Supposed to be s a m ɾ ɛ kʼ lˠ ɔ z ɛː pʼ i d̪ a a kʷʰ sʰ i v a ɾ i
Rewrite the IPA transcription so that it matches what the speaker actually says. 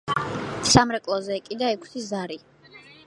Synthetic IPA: s a m ɾ ɛ kʼ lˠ ɔ z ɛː kʼ i d̪ a ɛ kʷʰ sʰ i z a ɾ i

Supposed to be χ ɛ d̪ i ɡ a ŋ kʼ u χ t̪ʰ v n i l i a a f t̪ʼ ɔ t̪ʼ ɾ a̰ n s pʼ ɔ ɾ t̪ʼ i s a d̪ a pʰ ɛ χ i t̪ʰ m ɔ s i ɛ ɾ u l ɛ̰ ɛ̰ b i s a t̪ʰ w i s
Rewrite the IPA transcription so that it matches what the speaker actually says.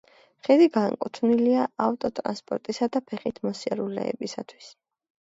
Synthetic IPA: χ ɛ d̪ i ɡ a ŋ kʼ u t̪ʰ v n i l i a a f t̪ʼ ɔ t̪ʼ ɾ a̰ n s pʼ ɔ ɾ t̪ʼ i s a d̪ a pʰ ɛ χ i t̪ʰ m ɔ s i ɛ ɾ u l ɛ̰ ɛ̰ b i s a t̪ʰ w i s

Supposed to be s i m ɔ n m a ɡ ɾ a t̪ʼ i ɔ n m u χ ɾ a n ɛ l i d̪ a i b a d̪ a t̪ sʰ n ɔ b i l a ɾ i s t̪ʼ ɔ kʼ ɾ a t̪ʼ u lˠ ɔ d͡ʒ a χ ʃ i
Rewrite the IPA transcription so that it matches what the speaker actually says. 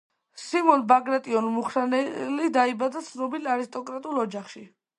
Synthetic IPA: s i m ɔ n b a ɡ ɾ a t̪ʼ i ɔ n m u χ ɾ a n ɛ l i d̪ a i b a d̪ a t̪ sʰ n ɔ b i l a ɾ i s t̪ʼ ɔ kʼ ɾ a t̪ʼ u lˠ ɔ d͡ʒ a χ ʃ i

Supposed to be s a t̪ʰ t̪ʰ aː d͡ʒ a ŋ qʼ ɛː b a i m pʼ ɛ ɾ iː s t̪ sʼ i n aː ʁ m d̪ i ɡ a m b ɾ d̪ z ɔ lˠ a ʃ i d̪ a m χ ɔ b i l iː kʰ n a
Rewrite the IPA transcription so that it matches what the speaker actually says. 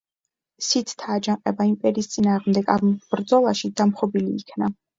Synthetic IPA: s i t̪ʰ t̪ʰ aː d͡ʒ a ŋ qʼ ɛ b a i m pʼ ɛ ɾ iː s t̪ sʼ i n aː ʁ m d̪ ɛ ɡ a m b ɾ d̪ z ɔ lˠ a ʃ i d̪ a m χ ɔ b i l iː kʰ n a

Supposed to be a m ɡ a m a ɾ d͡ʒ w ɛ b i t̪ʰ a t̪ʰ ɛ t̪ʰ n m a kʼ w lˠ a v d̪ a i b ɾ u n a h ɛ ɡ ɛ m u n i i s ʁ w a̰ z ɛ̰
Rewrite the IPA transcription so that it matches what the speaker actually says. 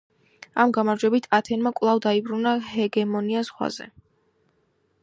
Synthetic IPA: a m ɡ a m a ɾ d͡ʒ w ɛ b i t̪ʰ a t̪ʰ ɛ n m a kʼ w lˠ a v d̪ a i b ɾ u n a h ɛ ɡ ɛ m ɔ n i a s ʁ w a̰ z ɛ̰

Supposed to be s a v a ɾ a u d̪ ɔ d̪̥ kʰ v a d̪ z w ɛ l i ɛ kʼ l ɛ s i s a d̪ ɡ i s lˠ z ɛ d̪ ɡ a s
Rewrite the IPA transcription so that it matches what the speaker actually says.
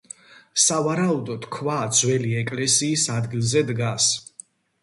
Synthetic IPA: s a v a ɾ a u d̪ ɔ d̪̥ kʰ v a d̪ z w ɛ l i ɛ kʼ l ɛ s iː s a d̪ ɡ i lˠ z ɛ d̪ ɡ a s

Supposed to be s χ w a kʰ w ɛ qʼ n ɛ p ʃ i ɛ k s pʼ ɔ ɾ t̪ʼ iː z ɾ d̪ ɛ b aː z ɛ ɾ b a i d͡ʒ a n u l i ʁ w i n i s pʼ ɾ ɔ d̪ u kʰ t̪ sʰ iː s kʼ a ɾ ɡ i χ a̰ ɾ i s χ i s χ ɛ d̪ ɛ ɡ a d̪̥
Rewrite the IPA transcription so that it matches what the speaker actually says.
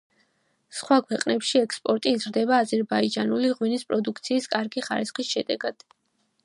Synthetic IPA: s χ w a kʰ w ɛ qʼ n ɛ p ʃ i ɛ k s pʼ ɔ ɾ t̪ʼ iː z ɾ d̪ ɛ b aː z ɛ ɾ b a i d͡ʒ a n u l i ʁ w i n i s pʼ ɾ ɔ d̪ u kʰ t̪ sʰ iː s kʼ a ɾ ɡ i χ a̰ ɾ i s χ i s ʃ ɛ d̪ ɛ ɡ a d̪̥

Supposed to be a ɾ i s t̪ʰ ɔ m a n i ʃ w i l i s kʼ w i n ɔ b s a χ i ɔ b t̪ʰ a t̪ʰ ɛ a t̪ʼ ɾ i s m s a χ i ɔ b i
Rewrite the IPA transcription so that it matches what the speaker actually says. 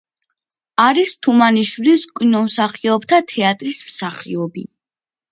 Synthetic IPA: a ɾ i s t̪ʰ u m a n i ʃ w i l i s kʼ w i n ɔ m s a χ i ɔ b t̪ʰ a t̪ʰ ɛ a t̪ʼ ɾ i s m s a χ i ɔ b i

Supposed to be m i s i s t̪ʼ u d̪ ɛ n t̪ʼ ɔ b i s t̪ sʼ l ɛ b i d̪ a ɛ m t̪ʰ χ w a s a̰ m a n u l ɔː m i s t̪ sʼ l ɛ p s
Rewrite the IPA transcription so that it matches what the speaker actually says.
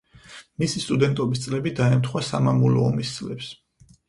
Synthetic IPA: m i s i s t̪ʼ u d̪ ɛ n t̪ʼ ɔ b i s t̪ sʼ l ɛ b i d̪ a ɛ m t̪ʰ χ w a s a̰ m a m u l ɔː m i s t̪ sʼ l ɛ p s

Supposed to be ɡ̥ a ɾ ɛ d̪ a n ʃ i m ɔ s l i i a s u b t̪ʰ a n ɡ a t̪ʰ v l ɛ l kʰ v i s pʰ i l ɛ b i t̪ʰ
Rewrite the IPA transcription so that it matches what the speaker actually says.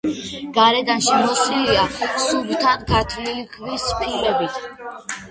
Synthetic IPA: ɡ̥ a ɾ ɛ d̪ a n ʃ i m ɔ s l i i a s u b t̪ʰ a n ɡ a t̪ʰ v l i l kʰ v i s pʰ i l ɛ b i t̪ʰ

